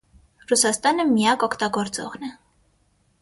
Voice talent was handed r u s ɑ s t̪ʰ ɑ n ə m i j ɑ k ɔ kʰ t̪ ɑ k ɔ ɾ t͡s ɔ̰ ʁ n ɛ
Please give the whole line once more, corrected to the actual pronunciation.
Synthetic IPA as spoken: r u s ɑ s t̪ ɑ n ə m i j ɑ k ɔ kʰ t̪ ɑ ɡ ɔ ɾ t͡s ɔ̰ ʁ n ɛ